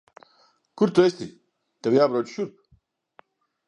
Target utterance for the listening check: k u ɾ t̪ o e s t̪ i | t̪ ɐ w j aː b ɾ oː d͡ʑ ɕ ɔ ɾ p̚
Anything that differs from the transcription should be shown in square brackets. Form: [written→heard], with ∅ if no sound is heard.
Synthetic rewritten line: k u ɾ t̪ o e s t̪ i | t̪ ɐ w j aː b ɾ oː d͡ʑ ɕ [ɔ→u] ɾ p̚